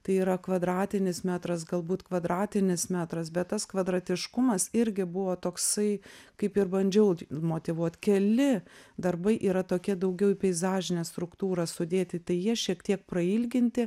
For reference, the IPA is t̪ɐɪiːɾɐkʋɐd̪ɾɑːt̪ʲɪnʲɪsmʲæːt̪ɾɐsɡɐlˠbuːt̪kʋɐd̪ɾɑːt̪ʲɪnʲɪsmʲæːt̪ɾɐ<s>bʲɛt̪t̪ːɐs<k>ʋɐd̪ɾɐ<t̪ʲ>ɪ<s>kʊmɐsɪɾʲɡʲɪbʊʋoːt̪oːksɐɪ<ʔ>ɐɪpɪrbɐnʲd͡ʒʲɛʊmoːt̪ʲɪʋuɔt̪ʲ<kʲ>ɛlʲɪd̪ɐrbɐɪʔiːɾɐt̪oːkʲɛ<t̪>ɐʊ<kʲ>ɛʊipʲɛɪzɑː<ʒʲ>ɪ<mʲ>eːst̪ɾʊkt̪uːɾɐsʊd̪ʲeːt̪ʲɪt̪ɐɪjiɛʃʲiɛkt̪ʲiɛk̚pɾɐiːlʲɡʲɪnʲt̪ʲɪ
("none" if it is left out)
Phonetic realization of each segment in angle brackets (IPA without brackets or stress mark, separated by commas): s, k, t̪ʲ, ʃ, k, kʲ, d̪, ɡʲ, ʒʲ, nʲ